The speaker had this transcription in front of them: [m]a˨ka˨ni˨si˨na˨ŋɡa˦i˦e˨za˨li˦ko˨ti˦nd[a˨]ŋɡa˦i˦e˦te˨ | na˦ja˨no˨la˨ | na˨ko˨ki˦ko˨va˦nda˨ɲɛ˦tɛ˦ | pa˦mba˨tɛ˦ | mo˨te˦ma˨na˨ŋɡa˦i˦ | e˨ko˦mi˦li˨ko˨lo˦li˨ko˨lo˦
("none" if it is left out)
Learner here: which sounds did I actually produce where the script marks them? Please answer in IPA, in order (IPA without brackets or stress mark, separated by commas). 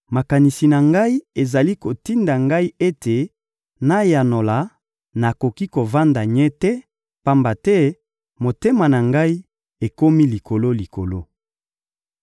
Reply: m, a˨